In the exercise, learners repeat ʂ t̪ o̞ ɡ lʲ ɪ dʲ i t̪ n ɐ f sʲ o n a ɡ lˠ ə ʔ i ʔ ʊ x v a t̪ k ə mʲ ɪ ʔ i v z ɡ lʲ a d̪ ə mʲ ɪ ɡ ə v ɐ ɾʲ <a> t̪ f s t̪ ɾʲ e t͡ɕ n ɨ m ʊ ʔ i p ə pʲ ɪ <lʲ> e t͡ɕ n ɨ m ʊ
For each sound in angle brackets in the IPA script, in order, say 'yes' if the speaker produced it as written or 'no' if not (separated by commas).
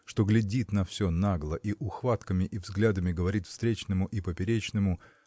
no, no